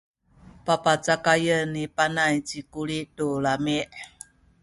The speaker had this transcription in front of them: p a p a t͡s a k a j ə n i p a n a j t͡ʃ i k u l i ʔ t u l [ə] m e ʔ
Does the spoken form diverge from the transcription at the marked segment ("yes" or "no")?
yes